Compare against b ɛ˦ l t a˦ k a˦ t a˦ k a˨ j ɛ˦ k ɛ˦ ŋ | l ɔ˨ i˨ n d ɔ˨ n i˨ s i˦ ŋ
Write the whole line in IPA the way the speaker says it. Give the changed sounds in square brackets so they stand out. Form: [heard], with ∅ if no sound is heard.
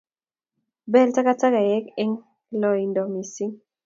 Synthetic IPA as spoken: b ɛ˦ l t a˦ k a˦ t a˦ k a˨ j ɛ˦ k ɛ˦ ŋ | l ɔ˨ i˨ n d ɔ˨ [m] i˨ s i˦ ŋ